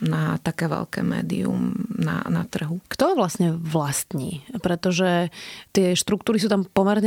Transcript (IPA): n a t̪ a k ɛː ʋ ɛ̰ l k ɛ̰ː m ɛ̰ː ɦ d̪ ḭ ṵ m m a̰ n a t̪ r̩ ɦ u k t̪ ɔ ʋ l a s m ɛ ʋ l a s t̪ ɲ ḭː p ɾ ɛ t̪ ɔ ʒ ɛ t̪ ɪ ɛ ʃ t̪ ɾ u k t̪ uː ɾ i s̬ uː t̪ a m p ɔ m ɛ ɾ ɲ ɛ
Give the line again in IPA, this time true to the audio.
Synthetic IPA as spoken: n a t̪ a k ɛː ʋ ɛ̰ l k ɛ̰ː m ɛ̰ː d̪ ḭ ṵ m n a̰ n a t̪ r̩ ɦ u k t̪ ɔ ʋ l a s ɲ ɛ ʋ l a s t̪ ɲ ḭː p ɾ ɛ t̪ ɔ ʒ ɛ t̪ ɪ ɛ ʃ t̪ ɾ u k t̪ uː ɾ i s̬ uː t̪ a m p ɔ m ɛ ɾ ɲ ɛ